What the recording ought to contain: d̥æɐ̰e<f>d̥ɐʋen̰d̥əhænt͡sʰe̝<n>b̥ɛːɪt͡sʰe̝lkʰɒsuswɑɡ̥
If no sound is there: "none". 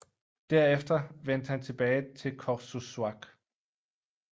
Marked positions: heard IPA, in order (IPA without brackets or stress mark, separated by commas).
f, none